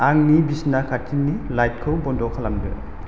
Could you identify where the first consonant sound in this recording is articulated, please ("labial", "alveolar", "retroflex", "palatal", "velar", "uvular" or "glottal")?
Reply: velar